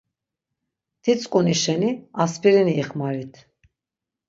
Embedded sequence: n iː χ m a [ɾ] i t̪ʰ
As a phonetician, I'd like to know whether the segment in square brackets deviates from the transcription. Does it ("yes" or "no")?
no